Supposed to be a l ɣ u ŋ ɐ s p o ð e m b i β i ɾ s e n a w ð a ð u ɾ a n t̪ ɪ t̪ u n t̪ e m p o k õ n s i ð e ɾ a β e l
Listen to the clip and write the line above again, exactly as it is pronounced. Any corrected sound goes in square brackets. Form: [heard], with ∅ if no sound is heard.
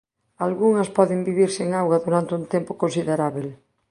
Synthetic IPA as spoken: a l ɣ u ŋ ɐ s p [ɔ] ð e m b i β i ɾ s e [ŋ] a w [ɣ] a ð u ɾ a n t̪ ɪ [∅] u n t̪ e m p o k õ n s i ð e ɾ a β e l